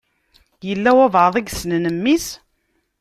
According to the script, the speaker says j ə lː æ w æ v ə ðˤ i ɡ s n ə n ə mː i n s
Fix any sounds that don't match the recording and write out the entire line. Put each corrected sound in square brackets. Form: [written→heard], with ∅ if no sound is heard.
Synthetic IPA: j ə lː æ w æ v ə ðˤ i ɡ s n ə n ə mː i [n→∅] s